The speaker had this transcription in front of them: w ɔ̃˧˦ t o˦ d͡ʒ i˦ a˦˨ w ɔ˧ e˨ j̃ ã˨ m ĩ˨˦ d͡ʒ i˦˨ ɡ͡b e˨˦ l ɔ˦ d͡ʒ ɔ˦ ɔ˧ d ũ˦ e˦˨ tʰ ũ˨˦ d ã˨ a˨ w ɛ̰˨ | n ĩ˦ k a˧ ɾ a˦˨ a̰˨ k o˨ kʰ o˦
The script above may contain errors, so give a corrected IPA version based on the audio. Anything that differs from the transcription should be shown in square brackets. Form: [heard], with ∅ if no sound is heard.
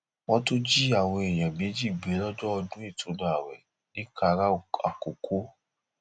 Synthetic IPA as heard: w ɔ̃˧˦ t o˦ d͡ʒ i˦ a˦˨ w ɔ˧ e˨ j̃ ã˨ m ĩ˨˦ d͡ʒ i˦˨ ɡ͡b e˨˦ l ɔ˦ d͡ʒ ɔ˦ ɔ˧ d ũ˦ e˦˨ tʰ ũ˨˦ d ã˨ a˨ w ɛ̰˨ | n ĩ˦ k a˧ ɾ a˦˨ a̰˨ k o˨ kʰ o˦